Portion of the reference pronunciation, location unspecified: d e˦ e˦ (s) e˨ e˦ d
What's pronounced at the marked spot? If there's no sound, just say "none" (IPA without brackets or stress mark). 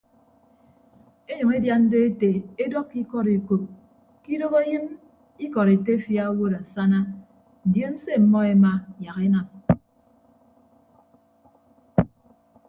t